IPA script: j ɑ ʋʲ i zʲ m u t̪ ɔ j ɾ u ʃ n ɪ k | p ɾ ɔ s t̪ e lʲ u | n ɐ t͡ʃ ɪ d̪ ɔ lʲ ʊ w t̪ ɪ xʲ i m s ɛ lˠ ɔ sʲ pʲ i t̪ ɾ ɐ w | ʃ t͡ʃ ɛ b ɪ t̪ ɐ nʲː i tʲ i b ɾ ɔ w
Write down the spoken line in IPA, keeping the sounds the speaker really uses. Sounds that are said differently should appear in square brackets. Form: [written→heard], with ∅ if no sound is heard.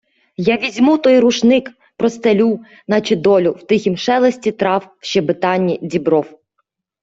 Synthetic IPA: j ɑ ʋʲ i zʲ m u t̪ ɔ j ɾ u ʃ n ɪ k | p ɾ ɔ s t̪ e lʲ u | n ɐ t͡ʃ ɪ d̪ ɔ lʲ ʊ w t̪ ɪ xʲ i m [s→ʃ] ɛ lˠ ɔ sʲ [pʲ→tʲ] i t̪ ɾ [ɐ→ɑ] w | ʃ t͡ʃ ɛ b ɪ t̪ [ɐ→ɑ] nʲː i [tʲ→dʲ] i b ɾ ɔ w